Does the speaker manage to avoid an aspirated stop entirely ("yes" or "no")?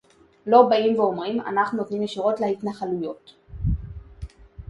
yes